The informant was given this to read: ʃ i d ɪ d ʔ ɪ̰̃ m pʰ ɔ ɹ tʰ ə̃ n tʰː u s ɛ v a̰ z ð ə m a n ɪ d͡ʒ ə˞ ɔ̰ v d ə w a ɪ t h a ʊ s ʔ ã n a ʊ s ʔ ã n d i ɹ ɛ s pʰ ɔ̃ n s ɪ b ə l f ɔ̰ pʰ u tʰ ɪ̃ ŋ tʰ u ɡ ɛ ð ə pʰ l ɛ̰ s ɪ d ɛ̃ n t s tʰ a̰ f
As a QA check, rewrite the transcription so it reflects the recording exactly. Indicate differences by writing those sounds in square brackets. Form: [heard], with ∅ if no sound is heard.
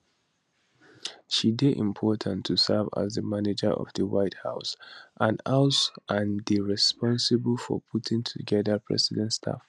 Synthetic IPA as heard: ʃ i d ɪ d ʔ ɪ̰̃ m pʰ ɔ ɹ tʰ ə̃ n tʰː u s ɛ v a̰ z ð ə m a n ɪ d͡ʒ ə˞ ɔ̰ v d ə w a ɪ t h a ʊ s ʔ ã n a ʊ s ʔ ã n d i ɹ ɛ s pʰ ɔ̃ n s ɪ b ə l f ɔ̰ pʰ u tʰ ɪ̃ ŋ tʰ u ɡ ɛ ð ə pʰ [ɹ] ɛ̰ s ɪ d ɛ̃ n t s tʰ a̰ f